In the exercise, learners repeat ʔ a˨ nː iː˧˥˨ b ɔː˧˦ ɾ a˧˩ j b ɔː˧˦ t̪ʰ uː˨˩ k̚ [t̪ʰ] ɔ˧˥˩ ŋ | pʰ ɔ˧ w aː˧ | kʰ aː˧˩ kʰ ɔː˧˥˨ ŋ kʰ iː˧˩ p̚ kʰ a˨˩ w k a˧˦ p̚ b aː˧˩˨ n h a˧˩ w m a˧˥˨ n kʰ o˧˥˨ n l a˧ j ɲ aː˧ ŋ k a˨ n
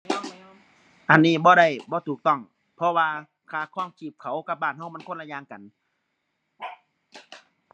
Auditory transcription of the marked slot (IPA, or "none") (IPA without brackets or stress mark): t̪